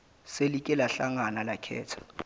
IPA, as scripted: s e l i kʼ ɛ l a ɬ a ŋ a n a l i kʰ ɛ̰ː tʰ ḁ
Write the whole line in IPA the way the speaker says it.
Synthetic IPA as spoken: s e l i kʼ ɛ l a ɬ a ŋ a n a l a kʰ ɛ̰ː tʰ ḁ